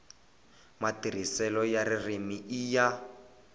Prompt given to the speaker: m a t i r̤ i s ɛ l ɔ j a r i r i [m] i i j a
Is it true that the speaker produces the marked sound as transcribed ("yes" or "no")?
yes